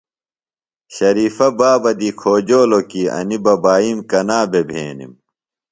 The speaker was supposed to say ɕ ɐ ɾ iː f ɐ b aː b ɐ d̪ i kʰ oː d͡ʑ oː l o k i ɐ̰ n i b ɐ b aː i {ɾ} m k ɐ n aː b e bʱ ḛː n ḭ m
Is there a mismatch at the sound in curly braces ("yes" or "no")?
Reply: yes